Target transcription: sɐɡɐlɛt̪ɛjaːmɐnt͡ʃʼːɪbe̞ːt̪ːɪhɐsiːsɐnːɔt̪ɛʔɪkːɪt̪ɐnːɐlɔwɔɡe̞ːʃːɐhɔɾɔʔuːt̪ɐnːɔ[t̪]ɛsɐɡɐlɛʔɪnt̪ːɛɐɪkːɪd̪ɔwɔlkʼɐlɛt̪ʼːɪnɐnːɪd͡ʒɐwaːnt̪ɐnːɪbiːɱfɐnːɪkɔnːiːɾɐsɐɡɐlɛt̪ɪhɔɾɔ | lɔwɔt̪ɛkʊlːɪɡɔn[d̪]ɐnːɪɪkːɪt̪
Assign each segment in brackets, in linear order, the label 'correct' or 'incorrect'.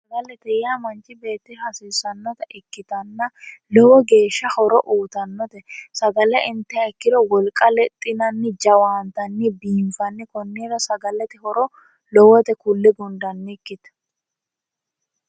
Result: correct, correct

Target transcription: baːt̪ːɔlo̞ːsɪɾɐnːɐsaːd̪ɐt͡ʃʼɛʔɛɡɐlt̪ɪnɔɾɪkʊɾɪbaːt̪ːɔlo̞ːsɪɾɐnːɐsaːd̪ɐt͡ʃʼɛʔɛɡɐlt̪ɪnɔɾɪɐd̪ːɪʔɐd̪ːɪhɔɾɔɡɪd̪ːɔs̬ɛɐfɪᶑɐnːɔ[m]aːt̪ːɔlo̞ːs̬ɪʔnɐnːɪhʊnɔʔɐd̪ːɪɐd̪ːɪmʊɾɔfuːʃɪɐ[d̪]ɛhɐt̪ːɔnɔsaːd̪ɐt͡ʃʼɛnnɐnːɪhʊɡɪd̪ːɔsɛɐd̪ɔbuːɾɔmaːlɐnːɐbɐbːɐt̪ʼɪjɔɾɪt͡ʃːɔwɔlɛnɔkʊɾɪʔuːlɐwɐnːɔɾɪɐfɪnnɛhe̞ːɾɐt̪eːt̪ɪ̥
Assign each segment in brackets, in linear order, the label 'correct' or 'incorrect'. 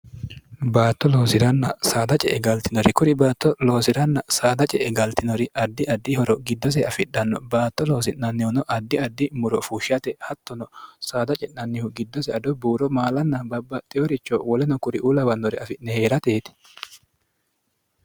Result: incorrect: b, incorrect: t̪

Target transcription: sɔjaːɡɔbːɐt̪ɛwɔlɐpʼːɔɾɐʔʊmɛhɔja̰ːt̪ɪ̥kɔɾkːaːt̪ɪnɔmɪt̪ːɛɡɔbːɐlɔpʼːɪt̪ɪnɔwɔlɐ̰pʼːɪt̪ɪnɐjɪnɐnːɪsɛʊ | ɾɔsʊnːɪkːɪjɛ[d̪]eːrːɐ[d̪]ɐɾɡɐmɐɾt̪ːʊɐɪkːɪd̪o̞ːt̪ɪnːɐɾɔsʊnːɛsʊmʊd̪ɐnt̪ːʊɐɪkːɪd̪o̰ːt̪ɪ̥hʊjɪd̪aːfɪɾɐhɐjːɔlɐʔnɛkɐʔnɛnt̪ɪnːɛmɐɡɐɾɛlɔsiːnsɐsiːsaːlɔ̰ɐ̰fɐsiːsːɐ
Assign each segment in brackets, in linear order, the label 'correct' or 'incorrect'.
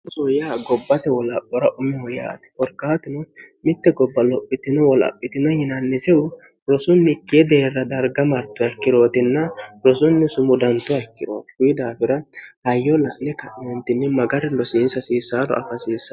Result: correct, correct

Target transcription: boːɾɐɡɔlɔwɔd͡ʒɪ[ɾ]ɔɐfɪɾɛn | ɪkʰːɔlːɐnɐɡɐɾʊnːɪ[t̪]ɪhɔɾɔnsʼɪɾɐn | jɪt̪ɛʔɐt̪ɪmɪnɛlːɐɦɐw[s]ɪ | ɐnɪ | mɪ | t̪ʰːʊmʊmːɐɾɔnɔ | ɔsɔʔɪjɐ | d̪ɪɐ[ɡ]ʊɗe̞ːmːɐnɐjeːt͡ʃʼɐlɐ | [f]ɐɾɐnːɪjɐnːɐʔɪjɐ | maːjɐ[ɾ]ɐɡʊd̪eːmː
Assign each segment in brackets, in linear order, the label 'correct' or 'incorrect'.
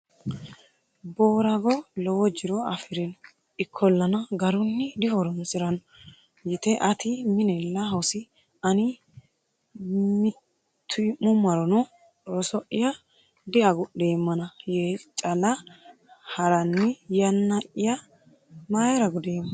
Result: correct, incorrect: d̪, correct, correct, incorrect: h, correct

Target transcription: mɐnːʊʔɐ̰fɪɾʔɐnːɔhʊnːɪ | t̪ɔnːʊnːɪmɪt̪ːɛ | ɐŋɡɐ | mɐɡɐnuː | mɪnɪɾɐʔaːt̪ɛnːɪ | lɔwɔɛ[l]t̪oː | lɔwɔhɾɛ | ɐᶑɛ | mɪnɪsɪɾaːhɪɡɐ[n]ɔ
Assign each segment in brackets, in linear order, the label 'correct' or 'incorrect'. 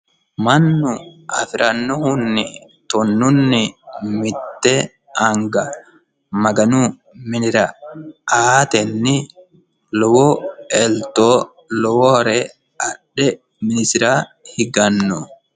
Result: correct, incorrect: nː

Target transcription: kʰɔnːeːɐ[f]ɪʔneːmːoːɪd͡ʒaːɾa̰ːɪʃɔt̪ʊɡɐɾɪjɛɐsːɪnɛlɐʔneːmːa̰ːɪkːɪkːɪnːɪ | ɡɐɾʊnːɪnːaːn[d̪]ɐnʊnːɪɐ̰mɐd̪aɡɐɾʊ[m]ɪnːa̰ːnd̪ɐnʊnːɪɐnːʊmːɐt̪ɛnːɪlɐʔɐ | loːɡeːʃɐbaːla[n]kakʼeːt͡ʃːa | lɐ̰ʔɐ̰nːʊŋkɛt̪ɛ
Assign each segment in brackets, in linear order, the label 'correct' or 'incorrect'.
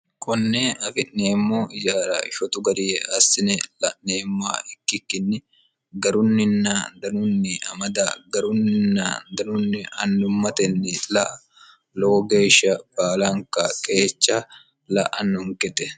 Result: correct, correct, incorrect: n, incorrect: ŋ

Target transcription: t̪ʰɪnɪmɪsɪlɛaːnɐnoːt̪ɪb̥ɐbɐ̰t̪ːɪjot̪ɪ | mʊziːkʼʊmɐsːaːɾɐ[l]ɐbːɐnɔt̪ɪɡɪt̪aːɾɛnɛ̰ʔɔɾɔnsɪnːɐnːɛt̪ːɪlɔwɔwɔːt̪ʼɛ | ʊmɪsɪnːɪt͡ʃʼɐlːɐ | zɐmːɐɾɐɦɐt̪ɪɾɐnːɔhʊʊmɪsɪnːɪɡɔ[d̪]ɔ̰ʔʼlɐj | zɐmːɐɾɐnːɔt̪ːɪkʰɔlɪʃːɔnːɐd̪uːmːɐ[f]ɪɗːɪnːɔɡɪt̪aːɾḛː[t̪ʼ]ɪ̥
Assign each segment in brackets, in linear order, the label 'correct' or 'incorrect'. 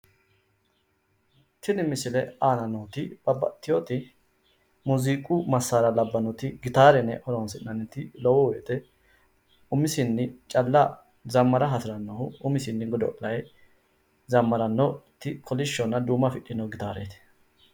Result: correct, correct, correct, incorrect: t̪

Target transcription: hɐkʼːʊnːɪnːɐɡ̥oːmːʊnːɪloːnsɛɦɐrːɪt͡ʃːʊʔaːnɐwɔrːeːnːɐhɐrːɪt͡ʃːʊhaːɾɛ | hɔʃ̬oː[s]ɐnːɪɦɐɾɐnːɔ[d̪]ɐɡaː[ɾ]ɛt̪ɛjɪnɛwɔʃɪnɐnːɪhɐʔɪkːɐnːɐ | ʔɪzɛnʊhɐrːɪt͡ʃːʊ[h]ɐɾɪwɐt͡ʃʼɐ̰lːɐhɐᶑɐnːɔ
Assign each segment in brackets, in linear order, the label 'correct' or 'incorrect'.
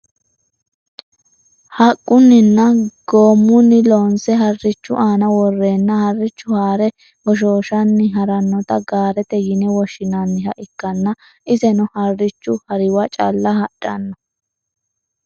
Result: incorrect: ʃ, incorrect: t̪, correct, correct

